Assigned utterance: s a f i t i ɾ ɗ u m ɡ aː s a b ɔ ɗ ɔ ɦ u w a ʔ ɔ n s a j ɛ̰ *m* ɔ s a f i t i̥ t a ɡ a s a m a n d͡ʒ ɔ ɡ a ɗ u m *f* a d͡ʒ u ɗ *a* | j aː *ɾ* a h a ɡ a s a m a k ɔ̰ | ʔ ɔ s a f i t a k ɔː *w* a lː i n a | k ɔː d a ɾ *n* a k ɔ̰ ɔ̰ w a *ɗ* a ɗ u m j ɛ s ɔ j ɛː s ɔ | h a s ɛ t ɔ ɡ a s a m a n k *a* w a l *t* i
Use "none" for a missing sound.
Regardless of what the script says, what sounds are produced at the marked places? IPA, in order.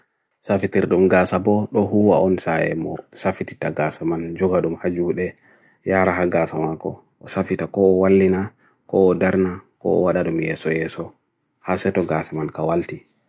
m, h, ɛ, ɾ, w, n, ɗ, a, t

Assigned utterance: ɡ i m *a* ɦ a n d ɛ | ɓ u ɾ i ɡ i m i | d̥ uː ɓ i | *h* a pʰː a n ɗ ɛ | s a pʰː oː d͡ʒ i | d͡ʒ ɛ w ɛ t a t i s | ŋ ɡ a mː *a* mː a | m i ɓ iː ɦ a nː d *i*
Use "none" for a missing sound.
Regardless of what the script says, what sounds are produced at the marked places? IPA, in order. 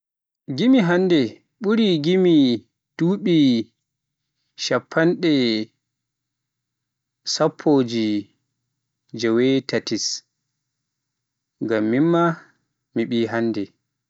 i, ʃ, i, ɛ

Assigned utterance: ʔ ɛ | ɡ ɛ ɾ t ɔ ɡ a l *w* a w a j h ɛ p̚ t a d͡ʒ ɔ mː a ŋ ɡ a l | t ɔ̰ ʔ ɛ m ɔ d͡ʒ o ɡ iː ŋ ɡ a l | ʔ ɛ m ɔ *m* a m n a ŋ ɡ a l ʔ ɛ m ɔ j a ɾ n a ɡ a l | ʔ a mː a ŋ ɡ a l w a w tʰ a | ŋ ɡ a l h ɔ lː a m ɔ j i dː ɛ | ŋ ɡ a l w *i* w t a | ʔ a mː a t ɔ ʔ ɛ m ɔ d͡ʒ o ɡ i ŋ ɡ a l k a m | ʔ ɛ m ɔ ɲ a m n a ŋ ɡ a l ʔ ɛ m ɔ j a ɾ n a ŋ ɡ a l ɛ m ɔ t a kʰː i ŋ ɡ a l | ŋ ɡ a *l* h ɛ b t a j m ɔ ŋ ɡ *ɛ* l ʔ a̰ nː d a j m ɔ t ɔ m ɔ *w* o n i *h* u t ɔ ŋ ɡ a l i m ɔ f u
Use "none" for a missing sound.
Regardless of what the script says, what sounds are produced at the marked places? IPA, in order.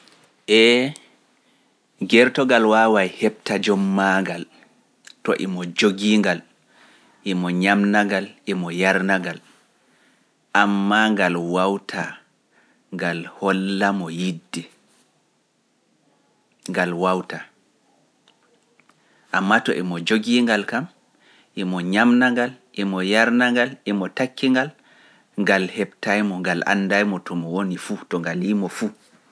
w, ɲ, a, l, a, w, f

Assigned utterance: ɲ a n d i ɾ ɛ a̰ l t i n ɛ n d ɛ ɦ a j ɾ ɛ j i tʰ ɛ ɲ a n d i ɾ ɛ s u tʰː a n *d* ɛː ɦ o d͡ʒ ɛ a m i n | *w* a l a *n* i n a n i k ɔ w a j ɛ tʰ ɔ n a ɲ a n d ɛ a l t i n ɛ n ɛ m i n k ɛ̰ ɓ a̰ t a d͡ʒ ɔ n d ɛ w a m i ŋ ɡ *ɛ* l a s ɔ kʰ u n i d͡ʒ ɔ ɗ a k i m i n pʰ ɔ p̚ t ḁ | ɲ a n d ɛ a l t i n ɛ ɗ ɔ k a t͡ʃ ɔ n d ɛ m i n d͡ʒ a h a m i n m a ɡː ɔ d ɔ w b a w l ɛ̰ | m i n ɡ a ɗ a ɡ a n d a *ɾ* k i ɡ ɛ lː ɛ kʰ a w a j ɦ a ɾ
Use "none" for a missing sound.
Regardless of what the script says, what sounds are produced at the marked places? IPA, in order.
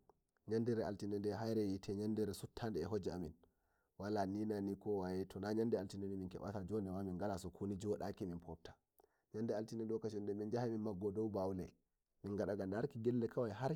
d, w, n, a, ɾ

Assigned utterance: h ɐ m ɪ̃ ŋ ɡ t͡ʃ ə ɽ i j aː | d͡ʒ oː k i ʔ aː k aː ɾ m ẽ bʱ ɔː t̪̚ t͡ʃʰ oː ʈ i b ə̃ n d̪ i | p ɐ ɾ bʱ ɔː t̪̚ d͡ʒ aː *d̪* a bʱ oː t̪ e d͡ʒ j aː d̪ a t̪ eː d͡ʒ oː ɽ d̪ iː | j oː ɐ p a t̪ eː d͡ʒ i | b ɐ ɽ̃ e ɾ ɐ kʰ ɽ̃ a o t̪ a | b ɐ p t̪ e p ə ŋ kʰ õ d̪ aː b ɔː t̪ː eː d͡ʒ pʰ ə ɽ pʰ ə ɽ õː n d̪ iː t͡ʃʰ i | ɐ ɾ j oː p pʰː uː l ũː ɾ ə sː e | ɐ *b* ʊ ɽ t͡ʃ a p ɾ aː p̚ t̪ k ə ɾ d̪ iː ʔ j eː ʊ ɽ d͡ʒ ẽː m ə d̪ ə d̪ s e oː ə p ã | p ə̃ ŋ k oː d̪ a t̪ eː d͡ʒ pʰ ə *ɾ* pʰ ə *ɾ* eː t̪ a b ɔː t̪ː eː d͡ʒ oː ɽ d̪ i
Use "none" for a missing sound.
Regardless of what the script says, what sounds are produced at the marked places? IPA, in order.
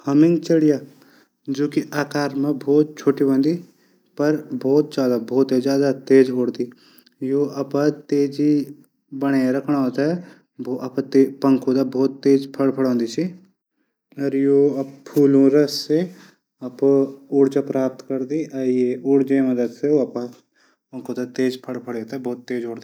d̪, p, ɽ, ɽ

